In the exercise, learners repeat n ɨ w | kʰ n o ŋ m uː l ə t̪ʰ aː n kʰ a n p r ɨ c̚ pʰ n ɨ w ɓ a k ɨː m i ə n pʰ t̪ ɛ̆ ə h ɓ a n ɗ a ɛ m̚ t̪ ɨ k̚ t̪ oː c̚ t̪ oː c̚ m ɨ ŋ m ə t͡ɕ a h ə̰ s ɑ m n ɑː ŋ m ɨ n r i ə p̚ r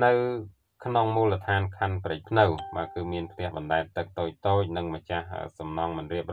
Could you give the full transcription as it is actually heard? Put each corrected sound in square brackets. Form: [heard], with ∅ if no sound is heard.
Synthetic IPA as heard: n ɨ w | kʰ n o ŋ m uː l ə t̪ʰ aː n kʰ a n p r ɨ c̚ pʰ n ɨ w ɓ a k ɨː m i ə n pʰ t̪ ɛ̆ ə h ɓ [ɑ] n ɗ a ɛ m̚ t̪ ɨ k̚ t̪ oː c̚ t̪ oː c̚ [n] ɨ ŋ m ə t͡ɕ a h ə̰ s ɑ m n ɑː ŋ m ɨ n r i ə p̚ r